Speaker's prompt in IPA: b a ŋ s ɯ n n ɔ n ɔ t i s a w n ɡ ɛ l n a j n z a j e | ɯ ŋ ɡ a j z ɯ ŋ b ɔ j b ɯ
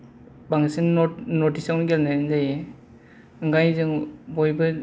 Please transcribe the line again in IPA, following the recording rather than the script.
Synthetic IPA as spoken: b a ŋ s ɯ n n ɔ n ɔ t i s a w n ɡ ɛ l n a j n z a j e | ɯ ŋ ɡ a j z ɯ ŋ b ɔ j b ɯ